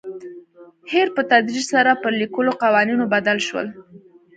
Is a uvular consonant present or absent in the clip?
present